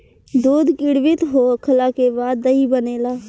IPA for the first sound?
d̪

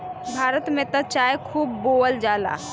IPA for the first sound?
bʱ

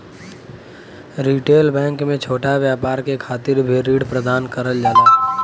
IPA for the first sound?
ɾ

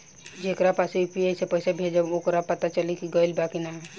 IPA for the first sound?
d͡ʒ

